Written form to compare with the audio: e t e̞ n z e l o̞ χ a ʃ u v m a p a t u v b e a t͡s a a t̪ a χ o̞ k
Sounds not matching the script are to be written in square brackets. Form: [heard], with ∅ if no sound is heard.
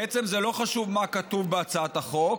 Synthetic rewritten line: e [t͡s] e̞ [m] z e l o̞ χ a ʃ u v m a [k] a t u v b e a t͡s a a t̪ a χ o̞ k